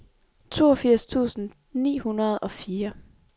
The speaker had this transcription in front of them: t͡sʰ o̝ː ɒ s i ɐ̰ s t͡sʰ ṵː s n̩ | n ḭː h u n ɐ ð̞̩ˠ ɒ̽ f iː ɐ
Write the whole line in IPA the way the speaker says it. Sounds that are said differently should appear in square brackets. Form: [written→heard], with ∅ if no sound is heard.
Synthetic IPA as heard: t͡sʰ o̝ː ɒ [s→f] i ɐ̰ s t͡sʰ ṵː s n̩ | n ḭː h u n ɐ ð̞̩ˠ ɒ̽ f iː ɐ